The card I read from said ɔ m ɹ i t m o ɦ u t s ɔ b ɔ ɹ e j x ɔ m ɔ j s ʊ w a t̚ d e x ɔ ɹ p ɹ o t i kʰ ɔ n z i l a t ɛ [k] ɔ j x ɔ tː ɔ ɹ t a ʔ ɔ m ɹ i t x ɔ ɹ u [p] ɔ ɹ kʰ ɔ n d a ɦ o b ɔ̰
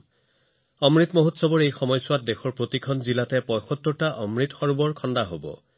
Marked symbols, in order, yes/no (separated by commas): no, no